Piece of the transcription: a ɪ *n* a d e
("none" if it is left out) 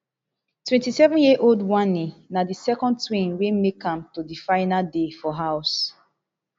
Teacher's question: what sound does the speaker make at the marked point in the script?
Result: n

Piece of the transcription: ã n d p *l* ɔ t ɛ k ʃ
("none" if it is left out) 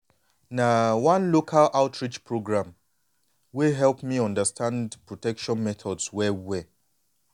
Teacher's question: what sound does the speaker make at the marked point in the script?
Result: ɹ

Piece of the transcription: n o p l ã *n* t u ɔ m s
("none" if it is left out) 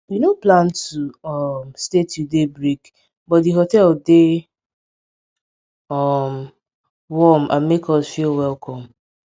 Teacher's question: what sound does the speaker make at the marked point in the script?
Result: n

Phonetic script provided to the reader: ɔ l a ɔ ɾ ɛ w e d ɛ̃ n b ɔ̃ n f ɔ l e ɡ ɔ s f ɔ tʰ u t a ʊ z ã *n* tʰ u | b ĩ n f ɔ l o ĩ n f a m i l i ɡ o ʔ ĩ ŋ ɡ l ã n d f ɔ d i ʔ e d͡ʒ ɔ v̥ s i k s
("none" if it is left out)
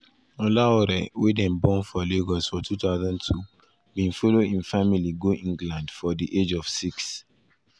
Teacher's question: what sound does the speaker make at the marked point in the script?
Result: n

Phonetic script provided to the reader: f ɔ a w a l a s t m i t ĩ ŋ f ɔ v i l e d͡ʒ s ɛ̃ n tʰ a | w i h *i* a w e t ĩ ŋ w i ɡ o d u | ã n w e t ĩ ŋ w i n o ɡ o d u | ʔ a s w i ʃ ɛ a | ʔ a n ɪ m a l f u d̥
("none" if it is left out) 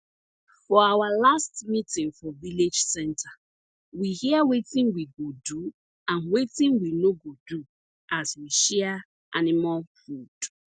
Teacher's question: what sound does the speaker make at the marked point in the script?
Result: i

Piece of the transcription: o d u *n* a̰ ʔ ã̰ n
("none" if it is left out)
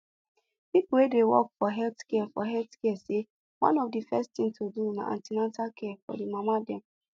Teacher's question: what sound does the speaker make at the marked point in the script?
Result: n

